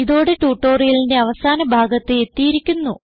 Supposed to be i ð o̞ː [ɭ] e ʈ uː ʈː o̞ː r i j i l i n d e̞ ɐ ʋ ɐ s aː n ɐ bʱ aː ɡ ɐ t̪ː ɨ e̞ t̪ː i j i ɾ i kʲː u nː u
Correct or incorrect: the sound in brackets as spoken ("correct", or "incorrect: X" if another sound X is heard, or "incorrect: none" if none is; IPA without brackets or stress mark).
incorrect: ɽ